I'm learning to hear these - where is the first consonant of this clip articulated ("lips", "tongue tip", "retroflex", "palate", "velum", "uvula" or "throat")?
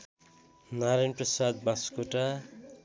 tongue tip